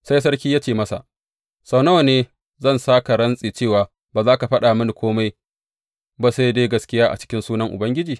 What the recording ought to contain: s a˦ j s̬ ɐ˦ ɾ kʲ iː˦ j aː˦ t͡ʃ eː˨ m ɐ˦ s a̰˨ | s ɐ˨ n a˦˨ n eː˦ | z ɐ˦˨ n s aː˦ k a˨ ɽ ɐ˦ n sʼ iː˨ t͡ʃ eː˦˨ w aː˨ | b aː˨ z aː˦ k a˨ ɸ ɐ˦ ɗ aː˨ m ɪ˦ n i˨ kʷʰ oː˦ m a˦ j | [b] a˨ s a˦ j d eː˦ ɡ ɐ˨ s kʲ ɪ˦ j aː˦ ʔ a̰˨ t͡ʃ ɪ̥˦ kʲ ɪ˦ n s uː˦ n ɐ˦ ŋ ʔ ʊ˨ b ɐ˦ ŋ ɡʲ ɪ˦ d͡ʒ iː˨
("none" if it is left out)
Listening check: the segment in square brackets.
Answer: b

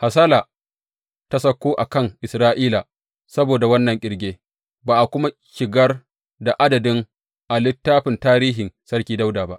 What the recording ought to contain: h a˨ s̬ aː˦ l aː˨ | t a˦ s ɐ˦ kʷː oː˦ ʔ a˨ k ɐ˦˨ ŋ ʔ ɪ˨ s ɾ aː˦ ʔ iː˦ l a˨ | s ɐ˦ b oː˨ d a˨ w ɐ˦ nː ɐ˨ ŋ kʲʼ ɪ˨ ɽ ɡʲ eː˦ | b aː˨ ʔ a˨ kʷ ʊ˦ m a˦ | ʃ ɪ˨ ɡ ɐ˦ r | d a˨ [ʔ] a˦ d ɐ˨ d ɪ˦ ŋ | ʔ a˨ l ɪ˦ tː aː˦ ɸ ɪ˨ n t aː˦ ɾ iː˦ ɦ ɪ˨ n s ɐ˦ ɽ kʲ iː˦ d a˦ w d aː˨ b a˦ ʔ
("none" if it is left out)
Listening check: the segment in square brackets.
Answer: ʔ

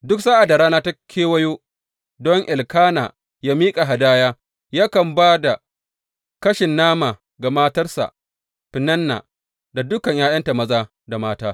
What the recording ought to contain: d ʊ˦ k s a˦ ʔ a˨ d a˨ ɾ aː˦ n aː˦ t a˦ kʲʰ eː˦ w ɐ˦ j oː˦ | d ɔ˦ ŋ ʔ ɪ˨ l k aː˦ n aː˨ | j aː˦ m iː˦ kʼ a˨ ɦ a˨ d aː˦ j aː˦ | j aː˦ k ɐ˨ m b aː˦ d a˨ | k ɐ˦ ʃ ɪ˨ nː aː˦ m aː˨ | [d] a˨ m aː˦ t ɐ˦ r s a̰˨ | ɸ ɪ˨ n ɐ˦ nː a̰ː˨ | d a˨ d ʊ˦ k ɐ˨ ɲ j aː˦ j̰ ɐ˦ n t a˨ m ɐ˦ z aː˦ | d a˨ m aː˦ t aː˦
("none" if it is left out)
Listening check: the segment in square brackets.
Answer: ɡ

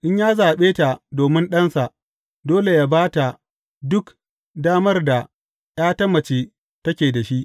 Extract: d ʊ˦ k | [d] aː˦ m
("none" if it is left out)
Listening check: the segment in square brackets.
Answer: d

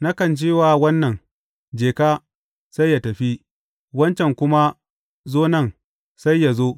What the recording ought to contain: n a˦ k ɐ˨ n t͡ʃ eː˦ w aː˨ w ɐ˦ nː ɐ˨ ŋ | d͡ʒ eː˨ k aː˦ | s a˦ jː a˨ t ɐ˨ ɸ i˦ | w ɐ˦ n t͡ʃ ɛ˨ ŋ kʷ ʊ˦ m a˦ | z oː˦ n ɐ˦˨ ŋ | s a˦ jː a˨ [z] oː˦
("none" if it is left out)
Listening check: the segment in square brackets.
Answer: z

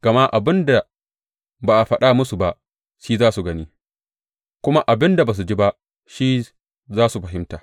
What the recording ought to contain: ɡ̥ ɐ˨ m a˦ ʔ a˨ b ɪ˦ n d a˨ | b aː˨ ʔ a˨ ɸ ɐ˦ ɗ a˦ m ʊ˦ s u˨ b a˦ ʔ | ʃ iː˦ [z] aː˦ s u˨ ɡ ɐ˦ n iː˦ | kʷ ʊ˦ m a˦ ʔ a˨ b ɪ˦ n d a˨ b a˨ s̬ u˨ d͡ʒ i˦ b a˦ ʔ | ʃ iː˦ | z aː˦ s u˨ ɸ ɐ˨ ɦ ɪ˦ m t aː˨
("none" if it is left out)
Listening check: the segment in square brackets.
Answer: z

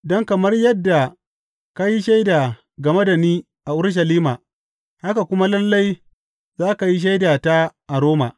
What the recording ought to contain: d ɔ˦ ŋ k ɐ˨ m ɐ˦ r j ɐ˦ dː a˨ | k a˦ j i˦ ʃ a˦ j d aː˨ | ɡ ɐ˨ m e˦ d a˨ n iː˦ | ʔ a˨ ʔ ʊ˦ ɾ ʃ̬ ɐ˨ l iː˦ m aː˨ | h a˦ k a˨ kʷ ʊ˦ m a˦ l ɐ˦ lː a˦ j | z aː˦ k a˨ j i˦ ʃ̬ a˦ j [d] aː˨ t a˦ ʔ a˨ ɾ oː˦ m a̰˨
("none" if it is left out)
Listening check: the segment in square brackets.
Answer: d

